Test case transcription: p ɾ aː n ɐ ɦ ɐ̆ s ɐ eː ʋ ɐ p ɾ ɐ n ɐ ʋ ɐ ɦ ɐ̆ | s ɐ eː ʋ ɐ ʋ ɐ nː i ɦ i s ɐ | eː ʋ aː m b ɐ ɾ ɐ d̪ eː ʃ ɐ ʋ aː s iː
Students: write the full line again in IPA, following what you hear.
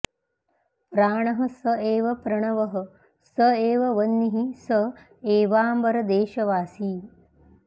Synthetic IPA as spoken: p ɾ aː ɳ ɐ ɦ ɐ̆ s ɐ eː ʋ ɐ p ɾ ɐ ɳ ɐ ʋ ɐ ɦ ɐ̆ | s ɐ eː ʋ ɐ ʋ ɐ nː i ɦ i s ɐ | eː ʋ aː m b ɐ ɾ ɐ d̪ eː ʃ ɐ ʋ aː s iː